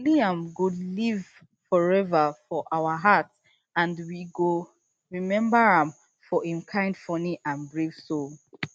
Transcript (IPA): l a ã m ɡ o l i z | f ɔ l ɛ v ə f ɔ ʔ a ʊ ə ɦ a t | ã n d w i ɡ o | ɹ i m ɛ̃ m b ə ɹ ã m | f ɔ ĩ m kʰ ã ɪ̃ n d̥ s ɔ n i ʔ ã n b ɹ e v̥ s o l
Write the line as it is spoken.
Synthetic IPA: l i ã m ɡ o l i v | f ɔ ɹ ɛ v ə f ɔ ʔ a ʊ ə ɦ a t | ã n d w i ɡ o | ɹ i m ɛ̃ m b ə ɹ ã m | f ɔ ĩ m kʰ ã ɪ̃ n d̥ f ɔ n i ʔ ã n b ɹ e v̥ s o l